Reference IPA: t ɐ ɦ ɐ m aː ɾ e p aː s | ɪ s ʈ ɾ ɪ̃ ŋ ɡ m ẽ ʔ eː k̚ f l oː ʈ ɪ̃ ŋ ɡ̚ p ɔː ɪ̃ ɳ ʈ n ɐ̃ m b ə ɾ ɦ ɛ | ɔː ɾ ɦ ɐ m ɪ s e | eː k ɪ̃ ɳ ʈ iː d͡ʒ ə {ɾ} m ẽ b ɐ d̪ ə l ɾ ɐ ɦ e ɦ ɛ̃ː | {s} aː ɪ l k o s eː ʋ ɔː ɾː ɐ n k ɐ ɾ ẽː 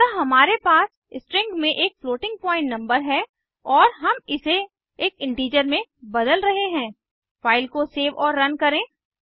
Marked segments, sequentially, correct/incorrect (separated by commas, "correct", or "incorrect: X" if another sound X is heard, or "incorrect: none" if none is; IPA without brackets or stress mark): correct, incorrect: f